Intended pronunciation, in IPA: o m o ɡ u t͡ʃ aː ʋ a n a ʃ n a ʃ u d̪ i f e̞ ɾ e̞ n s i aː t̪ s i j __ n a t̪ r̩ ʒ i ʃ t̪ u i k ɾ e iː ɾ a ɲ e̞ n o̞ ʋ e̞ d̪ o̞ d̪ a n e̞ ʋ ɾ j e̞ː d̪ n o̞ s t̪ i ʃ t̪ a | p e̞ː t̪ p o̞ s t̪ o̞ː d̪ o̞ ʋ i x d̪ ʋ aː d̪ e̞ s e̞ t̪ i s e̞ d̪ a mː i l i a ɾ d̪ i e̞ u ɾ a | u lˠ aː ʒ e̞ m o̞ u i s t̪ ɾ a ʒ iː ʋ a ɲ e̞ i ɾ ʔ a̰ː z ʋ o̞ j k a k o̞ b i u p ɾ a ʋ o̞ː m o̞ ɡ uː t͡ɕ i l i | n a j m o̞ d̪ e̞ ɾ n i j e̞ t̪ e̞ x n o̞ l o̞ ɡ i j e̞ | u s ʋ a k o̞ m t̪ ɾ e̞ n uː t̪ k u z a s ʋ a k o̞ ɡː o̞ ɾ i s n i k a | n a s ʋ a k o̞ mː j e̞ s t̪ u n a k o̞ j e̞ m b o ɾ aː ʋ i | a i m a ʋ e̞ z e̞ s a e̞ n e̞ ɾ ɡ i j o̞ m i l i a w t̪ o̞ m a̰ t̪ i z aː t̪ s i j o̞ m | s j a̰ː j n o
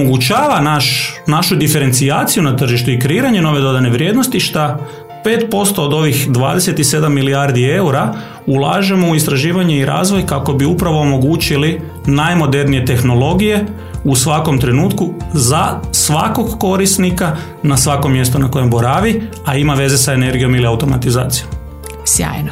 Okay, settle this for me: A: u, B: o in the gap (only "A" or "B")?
A